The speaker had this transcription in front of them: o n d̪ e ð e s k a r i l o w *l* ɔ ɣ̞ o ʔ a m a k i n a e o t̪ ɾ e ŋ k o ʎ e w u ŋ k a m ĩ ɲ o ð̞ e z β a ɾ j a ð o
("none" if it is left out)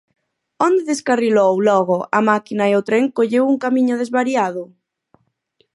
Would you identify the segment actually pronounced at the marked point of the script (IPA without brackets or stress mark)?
l